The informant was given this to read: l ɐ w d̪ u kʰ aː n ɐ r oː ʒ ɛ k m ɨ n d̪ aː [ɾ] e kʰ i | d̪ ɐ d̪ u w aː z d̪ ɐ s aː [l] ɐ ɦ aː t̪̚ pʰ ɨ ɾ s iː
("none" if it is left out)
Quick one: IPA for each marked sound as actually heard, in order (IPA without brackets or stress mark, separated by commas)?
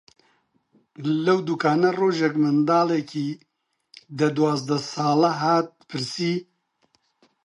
l, l